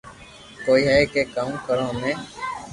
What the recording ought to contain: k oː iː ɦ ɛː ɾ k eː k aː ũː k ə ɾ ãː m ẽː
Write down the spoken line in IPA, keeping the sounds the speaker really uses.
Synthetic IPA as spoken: k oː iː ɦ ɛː k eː k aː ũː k ə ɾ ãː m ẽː